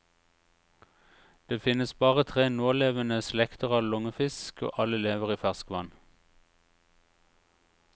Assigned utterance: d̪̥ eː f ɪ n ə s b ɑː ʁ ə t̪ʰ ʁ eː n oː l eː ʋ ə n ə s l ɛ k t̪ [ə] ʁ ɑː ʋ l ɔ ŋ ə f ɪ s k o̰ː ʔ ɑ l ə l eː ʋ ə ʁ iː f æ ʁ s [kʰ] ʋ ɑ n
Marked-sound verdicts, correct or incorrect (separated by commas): correct, incorrect